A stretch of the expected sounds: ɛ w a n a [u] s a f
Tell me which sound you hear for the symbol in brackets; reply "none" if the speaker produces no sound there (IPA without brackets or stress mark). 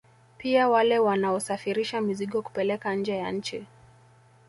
ɔ